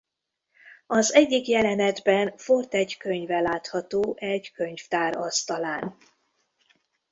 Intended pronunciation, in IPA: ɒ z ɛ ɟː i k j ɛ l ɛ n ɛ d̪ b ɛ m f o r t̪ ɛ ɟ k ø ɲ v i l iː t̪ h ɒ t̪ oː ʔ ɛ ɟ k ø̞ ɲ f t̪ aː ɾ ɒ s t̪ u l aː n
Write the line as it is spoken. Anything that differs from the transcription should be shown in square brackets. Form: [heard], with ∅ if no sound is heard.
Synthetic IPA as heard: ɒ z ɛ ɟː i k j ɛ l ɛ n ɛ d̪ b ɛ [n] f o r t̪ ɛ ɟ k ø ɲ v [ɛ] l [aː] t̪ h ɒ t̪ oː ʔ ɛ ɟ k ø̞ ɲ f t̪ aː ɾ ɒ s t̪ [ɒ] l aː n